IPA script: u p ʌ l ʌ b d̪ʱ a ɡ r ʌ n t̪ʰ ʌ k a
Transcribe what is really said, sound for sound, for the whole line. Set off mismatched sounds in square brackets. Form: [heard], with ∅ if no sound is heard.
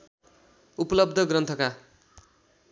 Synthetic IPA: u p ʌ l ʌ b d̪ʱ [ʌ] ɡ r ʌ n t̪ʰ ʌ k a